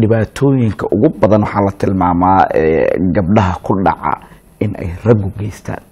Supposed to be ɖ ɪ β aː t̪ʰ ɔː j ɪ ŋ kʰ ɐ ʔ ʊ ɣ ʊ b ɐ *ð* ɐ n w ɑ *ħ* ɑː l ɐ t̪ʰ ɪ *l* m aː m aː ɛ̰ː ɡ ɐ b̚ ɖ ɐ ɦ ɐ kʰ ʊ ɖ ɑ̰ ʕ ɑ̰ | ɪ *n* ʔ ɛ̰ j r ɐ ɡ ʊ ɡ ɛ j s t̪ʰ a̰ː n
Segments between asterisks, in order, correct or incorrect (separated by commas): correct, correct, correct, correct